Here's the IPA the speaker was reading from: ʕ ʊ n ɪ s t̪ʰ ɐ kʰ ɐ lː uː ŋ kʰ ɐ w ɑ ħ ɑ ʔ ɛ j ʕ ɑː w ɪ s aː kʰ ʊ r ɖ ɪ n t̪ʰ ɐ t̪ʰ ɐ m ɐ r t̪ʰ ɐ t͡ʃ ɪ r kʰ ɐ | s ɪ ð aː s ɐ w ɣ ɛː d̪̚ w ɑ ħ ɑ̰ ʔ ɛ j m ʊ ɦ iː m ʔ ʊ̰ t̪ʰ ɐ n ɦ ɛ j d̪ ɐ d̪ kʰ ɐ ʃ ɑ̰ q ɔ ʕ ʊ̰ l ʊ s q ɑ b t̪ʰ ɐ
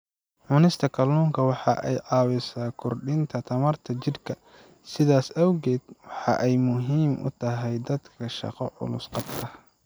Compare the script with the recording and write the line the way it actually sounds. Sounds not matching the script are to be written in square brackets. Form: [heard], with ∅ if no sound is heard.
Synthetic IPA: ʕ ʊ n ɪ s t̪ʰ ɐ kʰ ɐ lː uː ŋ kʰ ɐ w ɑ ħ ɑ ʔ ɛ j ʕ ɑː w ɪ s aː kʰ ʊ r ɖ ɪ n t̪ʰ ɐ t̪ʰ ɐ m ɐ r t̪ʰ ɐ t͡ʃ ɪ r kʰ ɐ | s ɪ ð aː s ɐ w ɣ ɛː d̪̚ w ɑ ħ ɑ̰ ʔ ɛ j m ʊ ɦ iː m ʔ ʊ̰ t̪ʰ ɐ [∅] ɦ ɛ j d̪ ɐ d̪ kʰ ɐ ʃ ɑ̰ q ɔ ʕ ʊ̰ l ʊ s q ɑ b t̪ʰ ɐ